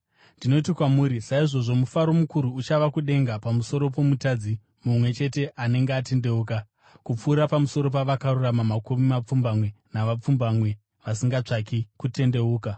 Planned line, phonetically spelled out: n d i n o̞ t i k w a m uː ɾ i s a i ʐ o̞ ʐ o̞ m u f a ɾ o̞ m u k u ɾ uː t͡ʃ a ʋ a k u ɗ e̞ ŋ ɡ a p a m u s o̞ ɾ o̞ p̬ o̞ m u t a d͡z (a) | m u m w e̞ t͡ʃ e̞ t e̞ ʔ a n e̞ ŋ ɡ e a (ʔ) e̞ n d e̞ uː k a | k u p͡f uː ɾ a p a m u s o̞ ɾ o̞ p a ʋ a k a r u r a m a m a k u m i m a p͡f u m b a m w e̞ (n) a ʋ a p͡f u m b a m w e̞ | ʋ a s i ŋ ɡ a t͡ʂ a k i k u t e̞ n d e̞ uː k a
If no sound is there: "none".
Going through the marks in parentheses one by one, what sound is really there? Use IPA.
i, t, n

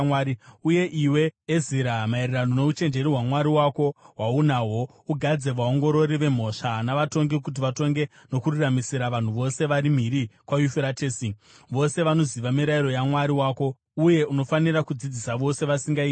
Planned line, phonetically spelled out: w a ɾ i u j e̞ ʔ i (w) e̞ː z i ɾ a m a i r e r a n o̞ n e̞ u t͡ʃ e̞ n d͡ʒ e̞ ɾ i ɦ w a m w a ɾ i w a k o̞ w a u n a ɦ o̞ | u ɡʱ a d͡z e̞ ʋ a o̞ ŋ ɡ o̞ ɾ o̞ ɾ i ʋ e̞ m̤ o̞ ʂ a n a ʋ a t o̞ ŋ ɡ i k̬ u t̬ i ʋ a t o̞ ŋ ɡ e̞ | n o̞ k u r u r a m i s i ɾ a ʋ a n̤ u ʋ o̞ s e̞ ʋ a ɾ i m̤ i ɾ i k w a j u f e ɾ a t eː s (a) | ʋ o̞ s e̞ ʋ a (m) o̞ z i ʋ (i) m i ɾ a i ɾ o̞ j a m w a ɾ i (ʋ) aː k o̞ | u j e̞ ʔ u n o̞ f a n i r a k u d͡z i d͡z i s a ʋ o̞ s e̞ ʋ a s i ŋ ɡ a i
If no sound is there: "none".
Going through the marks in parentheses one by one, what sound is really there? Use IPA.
w, i, n, a, w

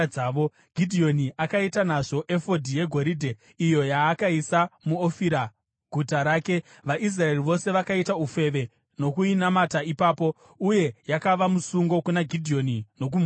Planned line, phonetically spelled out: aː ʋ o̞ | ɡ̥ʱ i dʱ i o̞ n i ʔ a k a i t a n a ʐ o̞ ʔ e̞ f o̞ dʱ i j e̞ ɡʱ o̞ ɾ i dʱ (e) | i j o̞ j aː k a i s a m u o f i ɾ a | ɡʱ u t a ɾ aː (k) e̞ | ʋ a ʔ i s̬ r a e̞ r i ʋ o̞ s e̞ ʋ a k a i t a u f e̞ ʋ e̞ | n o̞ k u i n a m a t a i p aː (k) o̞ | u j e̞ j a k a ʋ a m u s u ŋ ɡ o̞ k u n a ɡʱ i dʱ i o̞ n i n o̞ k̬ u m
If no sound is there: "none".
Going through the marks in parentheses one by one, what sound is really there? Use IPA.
e, k, p

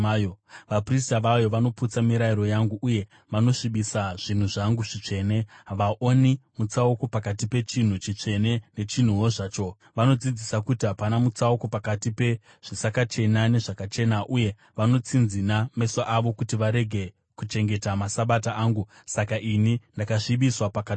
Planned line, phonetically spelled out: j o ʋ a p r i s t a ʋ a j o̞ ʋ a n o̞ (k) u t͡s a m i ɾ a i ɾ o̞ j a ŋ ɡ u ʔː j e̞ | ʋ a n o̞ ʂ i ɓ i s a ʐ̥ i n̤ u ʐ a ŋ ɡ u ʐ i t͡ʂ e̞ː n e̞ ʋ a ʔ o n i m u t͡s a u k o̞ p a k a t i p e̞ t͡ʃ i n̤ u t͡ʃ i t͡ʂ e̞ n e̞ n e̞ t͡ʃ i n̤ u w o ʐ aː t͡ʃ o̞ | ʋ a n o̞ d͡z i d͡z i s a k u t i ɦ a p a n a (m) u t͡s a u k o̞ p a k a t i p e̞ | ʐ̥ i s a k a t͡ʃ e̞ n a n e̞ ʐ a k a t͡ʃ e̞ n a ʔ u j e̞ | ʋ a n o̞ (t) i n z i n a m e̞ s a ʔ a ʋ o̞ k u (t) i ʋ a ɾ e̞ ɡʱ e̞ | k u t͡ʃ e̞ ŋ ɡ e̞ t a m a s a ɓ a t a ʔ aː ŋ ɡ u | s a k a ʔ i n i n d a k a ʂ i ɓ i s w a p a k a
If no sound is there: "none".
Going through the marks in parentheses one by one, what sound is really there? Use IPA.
p, m, t͡s, t

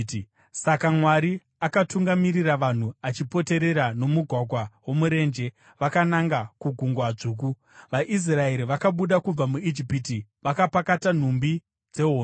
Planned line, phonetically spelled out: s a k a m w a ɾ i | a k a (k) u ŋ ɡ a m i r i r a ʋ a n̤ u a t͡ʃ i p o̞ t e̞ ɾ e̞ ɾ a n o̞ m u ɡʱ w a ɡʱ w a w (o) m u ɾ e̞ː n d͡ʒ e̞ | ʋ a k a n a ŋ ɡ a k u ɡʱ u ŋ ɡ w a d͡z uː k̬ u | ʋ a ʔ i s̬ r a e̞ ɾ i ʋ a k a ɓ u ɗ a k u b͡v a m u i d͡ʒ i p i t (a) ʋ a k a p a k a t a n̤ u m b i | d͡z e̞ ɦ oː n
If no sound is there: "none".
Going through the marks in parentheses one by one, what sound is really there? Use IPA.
t, o, i

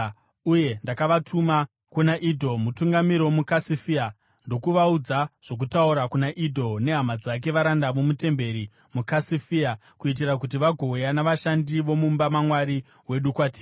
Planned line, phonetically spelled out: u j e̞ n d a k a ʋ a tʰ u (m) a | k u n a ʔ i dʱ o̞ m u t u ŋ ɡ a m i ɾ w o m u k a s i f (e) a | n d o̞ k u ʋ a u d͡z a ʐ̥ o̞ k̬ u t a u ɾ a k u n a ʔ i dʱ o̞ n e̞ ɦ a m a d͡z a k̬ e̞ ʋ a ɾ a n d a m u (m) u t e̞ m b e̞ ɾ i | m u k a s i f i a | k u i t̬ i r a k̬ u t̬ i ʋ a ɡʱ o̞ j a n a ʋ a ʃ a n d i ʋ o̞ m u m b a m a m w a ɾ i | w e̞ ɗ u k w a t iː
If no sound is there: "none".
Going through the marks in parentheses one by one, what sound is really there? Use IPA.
m, i, m

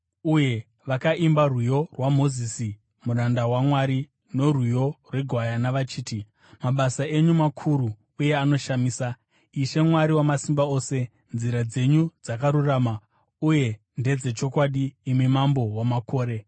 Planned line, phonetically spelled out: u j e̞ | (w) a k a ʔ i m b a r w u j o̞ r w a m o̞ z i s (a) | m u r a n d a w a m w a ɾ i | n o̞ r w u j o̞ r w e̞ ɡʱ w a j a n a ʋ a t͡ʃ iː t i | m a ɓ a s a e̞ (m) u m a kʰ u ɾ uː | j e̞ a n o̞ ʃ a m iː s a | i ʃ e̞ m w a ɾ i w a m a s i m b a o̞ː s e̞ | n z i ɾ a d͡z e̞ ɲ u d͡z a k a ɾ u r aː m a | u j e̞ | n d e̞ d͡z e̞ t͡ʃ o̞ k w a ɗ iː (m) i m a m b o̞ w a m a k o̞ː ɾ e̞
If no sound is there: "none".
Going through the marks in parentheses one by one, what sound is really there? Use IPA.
ʋ, i, ɲ, m

